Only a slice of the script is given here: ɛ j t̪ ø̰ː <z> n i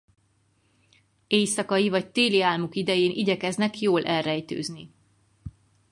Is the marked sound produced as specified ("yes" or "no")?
yes